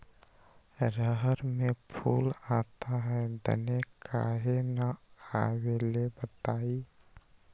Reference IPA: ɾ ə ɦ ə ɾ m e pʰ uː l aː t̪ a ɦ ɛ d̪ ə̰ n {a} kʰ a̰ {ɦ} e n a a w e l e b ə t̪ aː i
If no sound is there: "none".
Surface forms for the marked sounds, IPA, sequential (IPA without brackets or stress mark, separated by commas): e, ɦ